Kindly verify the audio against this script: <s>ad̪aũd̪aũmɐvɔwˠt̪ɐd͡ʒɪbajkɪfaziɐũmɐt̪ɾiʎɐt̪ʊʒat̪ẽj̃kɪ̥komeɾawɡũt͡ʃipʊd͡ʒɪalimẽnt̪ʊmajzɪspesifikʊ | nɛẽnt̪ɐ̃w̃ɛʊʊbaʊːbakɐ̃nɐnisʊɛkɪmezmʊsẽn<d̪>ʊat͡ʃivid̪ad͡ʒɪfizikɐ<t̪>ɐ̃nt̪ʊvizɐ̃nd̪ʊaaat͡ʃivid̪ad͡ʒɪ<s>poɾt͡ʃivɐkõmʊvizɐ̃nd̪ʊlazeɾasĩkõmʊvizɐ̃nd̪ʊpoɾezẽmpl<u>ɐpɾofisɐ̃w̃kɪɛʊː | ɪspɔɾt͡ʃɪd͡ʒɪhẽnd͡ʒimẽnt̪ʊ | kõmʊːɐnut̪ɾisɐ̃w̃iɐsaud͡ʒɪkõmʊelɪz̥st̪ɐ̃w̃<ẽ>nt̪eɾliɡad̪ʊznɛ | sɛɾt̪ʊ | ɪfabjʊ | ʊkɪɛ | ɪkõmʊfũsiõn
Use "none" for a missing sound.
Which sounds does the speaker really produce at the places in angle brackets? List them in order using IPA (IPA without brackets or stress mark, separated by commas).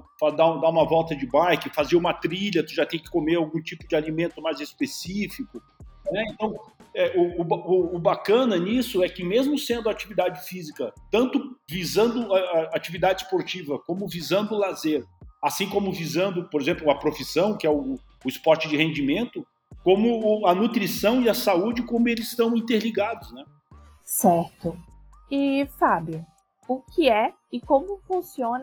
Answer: f, d̪, t̪, s, ʊ, ĩ